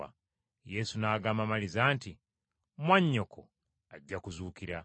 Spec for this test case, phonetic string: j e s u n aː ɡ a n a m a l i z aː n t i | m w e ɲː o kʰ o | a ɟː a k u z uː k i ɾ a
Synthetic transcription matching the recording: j e s u n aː ɡ a m a m a l i z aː n t i | m w a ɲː o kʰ o | a ɟː a k u z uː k i ɾ a

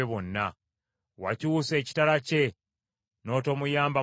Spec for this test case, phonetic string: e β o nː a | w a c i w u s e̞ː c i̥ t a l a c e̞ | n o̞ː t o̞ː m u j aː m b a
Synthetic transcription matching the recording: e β o nː a | w a c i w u s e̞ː c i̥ t a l a c e̞ | n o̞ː t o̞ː m u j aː m b a

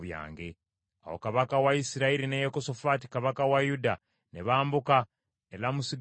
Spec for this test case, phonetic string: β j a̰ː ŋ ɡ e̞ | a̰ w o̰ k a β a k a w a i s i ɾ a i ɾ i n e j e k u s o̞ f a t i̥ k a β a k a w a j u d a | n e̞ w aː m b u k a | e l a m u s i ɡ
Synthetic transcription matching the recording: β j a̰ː ŋ ɡ e̞ | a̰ w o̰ k a β a k a w a i s i ɾ a i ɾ i n e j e k o s o̞ f a t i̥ k a β a k a w a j u d a | n e̞ β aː m b u k a | e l a m u s i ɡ

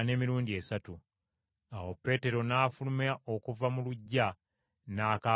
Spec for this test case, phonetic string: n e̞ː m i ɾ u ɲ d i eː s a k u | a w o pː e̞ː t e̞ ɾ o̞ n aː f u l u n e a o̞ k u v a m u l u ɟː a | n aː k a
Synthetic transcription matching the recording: n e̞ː m i ɾ uː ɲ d i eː s a t u | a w o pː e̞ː t e̞ ɾ o̞ n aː f u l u m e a o̞ k u v a m u l u ɟː a | n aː k a

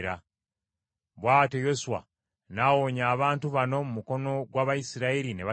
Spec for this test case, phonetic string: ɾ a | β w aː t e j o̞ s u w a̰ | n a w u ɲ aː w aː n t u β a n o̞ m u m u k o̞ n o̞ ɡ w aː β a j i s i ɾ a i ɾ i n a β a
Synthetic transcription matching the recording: ɾ a | β w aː t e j o̞ s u w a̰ | n a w o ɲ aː β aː n t u β a n o̞ m u m u k o̞ n o̞ ɡ w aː β a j i s i ɾ a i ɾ i n e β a

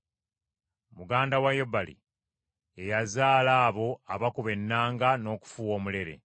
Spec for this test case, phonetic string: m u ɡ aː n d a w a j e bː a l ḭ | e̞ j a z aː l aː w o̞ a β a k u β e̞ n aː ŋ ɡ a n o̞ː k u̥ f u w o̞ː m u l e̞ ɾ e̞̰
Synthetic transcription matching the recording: m u ɡ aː n d a w a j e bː a l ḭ | e̞ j a z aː l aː β o̞ a β a k u β e̞ nː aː ŋ ɡ a n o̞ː k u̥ f u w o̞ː m u l e̞ ɾ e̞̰

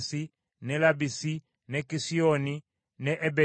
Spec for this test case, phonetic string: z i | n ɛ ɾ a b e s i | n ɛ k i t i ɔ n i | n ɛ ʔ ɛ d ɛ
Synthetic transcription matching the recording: s i | n ɛ l a b i s i | n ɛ k i s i ɔ n i | n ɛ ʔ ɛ b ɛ

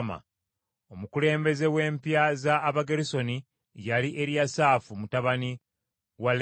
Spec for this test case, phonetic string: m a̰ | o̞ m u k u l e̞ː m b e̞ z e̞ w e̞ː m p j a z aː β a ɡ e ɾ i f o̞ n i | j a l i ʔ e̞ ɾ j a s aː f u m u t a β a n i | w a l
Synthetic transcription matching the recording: m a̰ | o̞ m u k u l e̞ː m b e̞ z e̞ w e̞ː m p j a z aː β a ɡ e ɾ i s o̞ n i | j a l i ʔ e̞ ɾ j a s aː f u m u t a β a n i | w a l

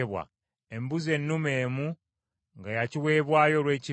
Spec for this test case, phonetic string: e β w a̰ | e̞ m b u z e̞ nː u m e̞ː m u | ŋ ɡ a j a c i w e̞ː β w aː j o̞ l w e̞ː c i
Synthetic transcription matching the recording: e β w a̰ | e̞ m b u z e̞ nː u m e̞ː m u | ŋ ɡ a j a c i w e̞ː β w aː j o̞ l w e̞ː c i

